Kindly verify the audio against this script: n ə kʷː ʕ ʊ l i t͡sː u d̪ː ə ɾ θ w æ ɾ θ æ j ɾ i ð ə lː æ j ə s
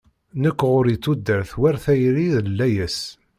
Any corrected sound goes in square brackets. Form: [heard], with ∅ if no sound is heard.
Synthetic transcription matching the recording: n ə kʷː [ʁ] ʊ [ɾ] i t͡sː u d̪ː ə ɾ θ w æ ɾ θ æ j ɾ i ð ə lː æ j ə s